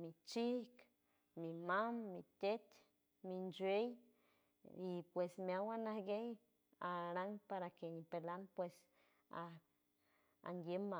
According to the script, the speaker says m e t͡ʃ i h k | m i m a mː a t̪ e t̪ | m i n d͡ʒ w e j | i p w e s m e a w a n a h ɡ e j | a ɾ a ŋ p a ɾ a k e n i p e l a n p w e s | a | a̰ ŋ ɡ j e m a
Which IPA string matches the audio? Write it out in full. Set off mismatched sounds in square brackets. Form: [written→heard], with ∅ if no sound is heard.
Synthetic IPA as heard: m [e→i] t͡ʃ i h k | m i m a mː [a→i] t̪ e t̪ | m i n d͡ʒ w e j | i p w e s m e a w a n a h ɡ e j | a ɾ a ŋ p a ɾ a k e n i p e l a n p w e s | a | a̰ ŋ ɡ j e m a

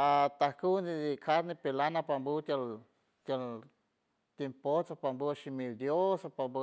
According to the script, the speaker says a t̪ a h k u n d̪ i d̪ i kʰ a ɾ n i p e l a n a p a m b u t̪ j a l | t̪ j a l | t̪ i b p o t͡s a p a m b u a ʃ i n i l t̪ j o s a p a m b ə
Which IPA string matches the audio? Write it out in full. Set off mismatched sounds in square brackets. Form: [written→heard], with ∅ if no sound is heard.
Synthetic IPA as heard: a t̪ a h k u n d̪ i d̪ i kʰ a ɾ n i p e l a n a p a m b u t̪ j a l | t̪ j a l | t̪ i [b→m] p o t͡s a p a m b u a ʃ i [n→m] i l [t̪→d̪] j o s a p a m b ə

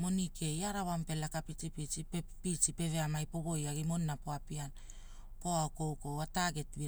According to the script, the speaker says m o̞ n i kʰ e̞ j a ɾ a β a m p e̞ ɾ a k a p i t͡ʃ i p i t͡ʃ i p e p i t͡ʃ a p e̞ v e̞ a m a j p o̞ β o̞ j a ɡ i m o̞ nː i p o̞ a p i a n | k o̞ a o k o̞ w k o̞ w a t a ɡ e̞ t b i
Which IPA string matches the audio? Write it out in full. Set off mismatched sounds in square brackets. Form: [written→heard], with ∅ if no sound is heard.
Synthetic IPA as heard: m o̞ n i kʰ e̞ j a ɾ a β a m p e̞ [ɾ→l] a k a p i t͡ʃ i p i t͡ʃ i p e p i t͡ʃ [a→i] p e̞ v e̞ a m a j p o̞ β o̞ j a ɡ i m o̞ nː [i→a] p o̞ a p i a n | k o̞ a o k o̞ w k o̞ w a t a ɡ e̞ t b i

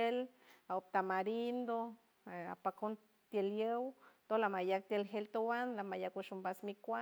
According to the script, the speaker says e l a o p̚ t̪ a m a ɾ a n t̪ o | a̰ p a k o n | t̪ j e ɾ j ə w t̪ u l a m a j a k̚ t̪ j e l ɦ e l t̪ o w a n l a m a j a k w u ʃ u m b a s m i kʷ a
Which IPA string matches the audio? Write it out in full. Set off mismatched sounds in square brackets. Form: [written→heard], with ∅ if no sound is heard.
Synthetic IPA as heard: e l a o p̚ t̪ a m a ɾ [a→i] n [t̪→d̪] o | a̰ p a k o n | t̪ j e [ɾ→l] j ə w t̪ [u→o] l a m a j a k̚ t̪ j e l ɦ e l t̪ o w a n l a m a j a k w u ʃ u m b a s m i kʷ a

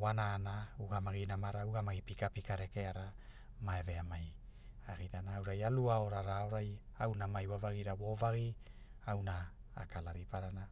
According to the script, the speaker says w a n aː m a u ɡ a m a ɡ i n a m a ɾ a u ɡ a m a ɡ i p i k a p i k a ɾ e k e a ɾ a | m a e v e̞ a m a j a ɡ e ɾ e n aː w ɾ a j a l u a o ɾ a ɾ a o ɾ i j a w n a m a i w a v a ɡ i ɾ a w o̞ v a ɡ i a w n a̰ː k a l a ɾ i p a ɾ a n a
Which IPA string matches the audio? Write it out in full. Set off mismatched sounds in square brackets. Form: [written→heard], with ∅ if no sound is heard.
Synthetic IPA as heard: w a n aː [m→n] a u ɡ a m a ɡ i n a m a ɾ a u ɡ a m a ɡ i p i k a p i k a ɾ e k e a ɾ a | m a e v e̞ a m a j a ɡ [e→i] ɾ [e→a] n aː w ɾ a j a l u a o ɾ a ɾ a o ɾ [i→a] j a w n a m a [i→j] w a v a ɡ i ɾ a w o̞ v a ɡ i a w n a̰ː k a l a ɾ i p a ɾ a n a

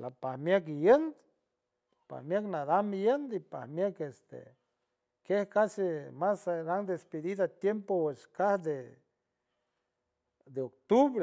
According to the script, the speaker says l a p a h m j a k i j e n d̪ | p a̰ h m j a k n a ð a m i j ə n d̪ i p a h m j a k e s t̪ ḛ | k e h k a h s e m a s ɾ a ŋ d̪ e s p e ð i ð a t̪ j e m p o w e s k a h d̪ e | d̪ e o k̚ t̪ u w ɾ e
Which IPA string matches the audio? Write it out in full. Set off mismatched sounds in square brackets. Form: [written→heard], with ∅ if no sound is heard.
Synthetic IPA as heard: l a p a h m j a k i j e n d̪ | p a̰ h m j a k n a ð a m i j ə n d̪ i p a h m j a k e s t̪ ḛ | k e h k a [h→∅] s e m a s ɾ a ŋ d̪ e s p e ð i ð a t̪ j e m p o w e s k a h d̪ e | d̪ e o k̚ t̪ u [w→β] ɾ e

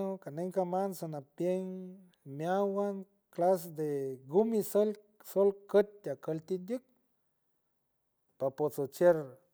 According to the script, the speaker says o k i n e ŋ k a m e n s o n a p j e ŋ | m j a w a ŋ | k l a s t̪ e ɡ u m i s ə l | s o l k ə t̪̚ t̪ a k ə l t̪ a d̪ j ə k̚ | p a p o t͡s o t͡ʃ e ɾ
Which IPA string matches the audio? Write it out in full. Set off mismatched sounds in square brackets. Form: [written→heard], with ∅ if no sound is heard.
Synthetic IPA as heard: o k [i→a] n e ŋ k a m [e→a] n s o n a p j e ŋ | m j a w a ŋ | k l a s [t̪→d̪] e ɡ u m i s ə l | s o l k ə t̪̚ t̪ a k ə l t̪ [a→i] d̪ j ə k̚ | p a p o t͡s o t͡ʃ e ɾ

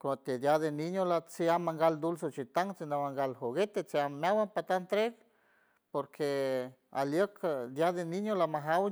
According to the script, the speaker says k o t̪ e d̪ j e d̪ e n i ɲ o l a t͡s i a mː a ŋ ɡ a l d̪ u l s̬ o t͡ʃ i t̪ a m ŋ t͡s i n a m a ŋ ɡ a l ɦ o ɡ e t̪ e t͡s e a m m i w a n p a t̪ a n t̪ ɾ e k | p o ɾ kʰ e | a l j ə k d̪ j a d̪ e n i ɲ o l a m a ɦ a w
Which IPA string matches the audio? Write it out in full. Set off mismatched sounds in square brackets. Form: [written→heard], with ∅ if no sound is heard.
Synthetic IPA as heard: k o t̪ e d̪ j [e→a] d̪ e n i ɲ o l a t͡s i a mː a ŋ ɡ a l d̪ u l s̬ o t͡ʃ i t̪ a [m→∅] ŋ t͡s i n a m a ŋ ɡ a l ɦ o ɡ e t̪ e t͡s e a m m [i→a] w a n p a t̪ a n t̪ ɾ e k | p o ɾ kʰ e | a l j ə k d̪ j a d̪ e n i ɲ o l a m a ɦ a w

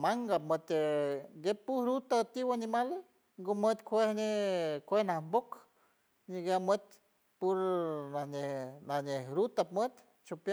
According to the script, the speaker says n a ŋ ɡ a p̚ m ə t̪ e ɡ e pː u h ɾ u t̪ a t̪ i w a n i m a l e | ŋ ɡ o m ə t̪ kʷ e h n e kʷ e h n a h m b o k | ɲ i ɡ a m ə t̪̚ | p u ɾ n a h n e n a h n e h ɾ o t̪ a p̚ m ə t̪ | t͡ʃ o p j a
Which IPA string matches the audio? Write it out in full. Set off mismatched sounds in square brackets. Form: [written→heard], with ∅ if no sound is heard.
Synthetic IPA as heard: [n→m] a ŋ ɡ a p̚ m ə t̪ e ɡ e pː u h ɾ u t̪ a t̪ i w a n i m a l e | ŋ ɡ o m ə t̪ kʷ e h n e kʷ e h n a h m b o k | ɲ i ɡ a m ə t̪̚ | p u ɾ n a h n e n a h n e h ɾ [o→u] t̪ a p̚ m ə t̪ | t͡ʃ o p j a

